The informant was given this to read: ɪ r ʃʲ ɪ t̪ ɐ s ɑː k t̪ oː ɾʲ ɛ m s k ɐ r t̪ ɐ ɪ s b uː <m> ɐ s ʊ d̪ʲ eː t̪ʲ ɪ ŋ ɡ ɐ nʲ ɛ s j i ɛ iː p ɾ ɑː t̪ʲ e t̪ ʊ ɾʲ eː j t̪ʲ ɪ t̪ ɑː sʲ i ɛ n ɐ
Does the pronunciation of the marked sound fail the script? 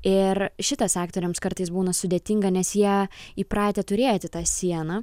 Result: yes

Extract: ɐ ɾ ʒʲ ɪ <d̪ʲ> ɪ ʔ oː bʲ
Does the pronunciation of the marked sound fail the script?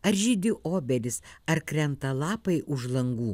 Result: no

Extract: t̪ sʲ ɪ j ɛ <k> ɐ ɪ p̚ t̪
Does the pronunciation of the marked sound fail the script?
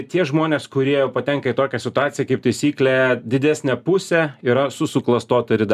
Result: no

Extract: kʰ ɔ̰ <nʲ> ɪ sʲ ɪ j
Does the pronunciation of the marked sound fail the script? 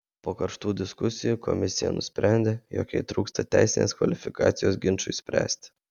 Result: yes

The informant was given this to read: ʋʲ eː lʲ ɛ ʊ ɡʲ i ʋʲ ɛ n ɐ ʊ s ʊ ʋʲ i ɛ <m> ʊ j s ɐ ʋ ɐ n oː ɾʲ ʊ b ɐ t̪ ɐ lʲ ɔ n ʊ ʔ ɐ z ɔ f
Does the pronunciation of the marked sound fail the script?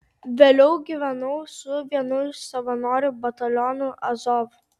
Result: yes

